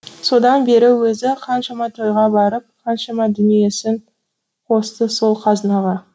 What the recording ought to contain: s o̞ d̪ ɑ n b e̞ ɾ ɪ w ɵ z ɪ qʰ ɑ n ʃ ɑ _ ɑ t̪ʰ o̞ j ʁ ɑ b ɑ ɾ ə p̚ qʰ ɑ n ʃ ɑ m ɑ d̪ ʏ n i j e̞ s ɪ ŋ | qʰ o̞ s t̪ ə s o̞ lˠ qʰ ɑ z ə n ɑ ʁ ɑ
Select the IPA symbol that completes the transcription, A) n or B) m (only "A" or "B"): B